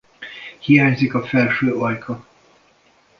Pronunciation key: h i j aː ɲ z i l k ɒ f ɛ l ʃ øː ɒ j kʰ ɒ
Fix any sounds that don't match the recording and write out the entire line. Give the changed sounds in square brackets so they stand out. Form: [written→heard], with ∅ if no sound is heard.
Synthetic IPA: h i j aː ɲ z i [l→∅] k ɒ f ɛ l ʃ øː ɒ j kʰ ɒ